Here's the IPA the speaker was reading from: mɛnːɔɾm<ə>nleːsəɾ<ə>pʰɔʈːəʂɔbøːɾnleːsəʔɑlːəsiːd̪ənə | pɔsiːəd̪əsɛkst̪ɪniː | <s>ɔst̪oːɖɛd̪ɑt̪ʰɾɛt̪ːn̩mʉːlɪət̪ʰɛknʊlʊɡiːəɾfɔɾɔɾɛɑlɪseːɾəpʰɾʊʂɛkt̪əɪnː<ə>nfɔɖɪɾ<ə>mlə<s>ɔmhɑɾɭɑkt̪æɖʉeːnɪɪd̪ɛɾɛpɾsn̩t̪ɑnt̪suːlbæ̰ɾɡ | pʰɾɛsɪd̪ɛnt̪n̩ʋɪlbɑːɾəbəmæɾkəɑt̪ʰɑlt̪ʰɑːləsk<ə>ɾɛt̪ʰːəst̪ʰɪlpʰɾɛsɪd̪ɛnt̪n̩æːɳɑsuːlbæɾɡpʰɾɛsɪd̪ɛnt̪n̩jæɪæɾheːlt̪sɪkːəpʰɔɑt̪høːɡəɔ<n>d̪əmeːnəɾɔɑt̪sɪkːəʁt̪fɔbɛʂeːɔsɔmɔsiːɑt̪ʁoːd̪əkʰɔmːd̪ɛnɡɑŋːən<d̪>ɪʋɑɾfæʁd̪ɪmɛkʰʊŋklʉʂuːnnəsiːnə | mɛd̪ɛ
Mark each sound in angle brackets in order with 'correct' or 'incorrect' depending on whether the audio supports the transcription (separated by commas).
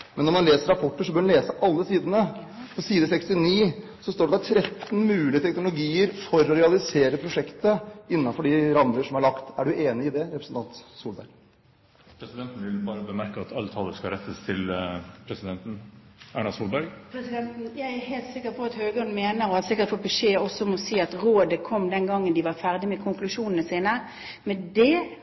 incorrect, incorrect, correct, incorrect, incorrect, incorrect, incorrect, correct, correct